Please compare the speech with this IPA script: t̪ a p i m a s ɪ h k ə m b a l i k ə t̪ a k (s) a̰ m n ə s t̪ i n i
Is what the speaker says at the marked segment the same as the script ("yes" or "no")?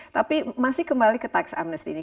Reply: yes